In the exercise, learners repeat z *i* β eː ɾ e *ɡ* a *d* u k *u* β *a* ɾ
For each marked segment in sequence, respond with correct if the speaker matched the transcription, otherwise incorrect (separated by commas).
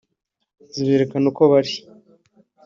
correct, incorrect, incorrect, incorrect, correct